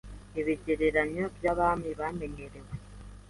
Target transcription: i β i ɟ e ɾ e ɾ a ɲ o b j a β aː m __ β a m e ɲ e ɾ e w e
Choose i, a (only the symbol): i